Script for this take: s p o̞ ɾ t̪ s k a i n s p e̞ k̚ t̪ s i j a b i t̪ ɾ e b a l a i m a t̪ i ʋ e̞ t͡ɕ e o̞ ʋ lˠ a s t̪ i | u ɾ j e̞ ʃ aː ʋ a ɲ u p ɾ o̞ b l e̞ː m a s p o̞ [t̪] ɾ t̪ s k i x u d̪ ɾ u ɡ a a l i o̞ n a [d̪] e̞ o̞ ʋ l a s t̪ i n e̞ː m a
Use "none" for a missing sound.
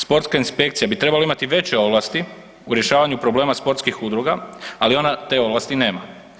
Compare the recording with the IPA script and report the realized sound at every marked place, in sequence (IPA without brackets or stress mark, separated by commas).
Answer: none, t̪